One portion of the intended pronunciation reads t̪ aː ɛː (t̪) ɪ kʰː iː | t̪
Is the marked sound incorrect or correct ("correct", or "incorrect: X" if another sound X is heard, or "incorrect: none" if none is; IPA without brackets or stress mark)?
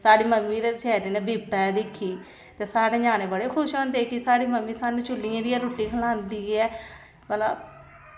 incorrect: d̪